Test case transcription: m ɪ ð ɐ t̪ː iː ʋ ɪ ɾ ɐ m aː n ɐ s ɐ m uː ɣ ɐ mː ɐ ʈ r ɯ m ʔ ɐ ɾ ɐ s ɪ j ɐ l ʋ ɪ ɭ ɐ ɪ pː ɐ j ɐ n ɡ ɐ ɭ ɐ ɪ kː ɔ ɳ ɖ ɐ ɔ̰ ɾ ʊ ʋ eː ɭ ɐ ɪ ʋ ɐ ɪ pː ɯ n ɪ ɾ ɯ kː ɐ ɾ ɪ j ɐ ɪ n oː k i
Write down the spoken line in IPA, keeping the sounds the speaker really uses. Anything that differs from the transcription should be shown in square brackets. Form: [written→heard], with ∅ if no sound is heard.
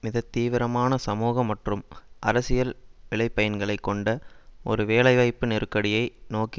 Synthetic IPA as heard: m ɪ ð ɐ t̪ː iː ʋ ɪ ɾ ɐ m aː n ɐ s ɐ m uː ɣ ɐ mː ɐ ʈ r ɯ m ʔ ɐ ɾ ɐ s ɪ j ɐ l ʋ ɪ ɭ ɐ ɪ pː ɐ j ɐ n ɡ ɐ ɭ ɐ ɪ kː ɔ ɳ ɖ ɐ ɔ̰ ɾ [ʊ→ɯ] ʋ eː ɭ ɐ ɪ ʋ ɐ ɪ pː ɯ n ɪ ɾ ɯ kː ɐ [ɾ→ɽ] ɪ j ɐ ɪ n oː k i